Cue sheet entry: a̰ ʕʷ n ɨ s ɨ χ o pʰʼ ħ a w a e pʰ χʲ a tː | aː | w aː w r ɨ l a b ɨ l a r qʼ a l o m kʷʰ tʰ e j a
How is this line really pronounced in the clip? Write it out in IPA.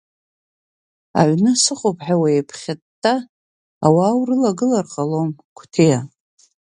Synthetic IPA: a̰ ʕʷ n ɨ s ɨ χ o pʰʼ ħ a w a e pʰ χʲ a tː | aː | w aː w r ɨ l a ɡ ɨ l a r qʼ a l o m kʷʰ tʰ e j a